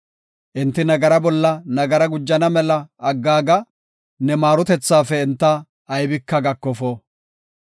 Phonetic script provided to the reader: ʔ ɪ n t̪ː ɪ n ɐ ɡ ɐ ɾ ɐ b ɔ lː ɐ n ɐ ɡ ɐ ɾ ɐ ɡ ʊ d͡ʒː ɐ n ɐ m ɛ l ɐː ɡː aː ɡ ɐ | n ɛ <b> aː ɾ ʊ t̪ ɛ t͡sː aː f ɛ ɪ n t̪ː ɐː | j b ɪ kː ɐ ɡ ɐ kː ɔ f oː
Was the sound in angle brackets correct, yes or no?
no